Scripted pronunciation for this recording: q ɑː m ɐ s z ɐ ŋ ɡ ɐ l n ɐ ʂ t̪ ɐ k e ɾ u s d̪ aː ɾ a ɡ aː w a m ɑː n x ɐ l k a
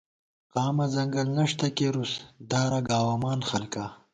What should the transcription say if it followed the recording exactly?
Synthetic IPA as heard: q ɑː m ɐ z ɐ ŋ ɡ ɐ l n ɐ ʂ t̪ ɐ k e ɾ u s d̪ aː ɾ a ɡ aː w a m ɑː n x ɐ l k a